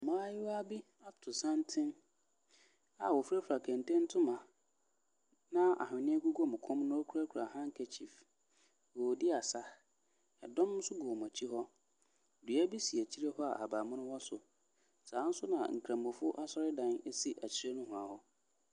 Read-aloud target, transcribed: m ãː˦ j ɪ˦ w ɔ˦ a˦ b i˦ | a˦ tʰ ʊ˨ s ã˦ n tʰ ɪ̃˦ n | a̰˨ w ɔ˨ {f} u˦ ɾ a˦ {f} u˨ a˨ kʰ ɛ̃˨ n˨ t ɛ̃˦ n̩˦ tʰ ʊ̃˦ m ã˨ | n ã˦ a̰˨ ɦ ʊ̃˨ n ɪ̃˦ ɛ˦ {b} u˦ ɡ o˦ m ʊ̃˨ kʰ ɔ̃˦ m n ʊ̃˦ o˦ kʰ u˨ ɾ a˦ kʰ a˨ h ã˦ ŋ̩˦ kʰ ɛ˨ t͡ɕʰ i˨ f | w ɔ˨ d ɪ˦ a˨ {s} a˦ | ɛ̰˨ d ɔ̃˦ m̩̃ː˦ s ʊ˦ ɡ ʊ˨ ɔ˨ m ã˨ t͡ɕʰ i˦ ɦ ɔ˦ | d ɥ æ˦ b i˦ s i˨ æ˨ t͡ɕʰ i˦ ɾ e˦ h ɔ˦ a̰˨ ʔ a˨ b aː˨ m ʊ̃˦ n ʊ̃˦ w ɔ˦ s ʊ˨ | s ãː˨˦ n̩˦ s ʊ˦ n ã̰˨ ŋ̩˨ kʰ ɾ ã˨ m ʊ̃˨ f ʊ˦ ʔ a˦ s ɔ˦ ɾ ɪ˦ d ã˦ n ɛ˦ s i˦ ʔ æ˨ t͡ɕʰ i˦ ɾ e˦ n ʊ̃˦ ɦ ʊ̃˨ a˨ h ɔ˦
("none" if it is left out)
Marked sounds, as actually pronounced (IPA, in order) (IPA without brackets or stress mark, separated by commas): f, f, ɡ, s